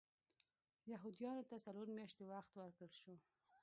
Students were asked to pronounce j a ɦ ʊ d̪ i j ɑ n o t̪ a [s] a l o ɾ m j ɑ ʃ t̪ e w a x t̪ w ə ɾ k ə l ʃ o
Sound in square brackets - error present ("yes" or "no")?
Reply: no